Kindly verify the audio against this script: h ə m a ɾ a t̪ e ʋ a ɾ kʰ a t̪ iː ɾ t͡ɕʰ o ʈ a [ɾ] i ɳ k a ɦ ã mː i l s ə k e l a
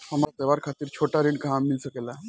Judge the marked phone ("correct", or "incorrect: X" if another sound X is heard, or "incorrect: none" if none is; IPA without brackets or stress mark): correct